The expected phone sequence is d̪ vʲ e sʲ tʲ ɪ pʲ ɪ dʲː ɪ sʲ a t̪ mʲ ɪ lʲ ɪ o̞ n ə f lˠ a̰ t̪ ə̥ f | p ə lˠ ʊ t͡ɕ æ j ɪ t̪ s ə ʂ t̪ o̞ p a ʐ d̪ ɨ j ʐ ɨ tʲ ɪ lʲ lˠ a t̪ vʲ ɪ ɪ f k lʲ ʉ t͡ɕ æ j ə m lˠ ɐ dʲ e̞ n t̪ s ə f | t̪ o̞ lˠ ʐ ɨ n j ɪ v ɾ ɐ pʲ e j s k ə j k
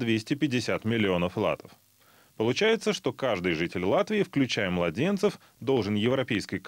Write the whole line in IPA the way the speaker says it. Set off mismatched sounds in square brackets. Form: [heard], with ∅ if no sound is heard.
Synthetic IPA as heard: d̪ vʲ e sʲ tʲ ɪ pʲ ɪ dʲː ɪ sʲ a t̪ mʲ ɪ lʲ ɪ o̞ n ə f lˠ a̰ t̪ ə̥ f | p ə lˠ ʊ t͡ɕ æ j ɪ t̪ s ə ʂ t̪ o̞ [k] a ʐ d̪ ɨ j ʐ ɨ tʲ ɪ lʲ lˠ a t̪ vʲ ɪ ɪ f k lʲ ʉ t͡ɕ æ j ə m lˠ ɐ dʲ e̞ n t̪ s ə f | [d̪] o̞ lˠ ʐ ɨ n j ɪ v ɾ ɐ pʲ e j s k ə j k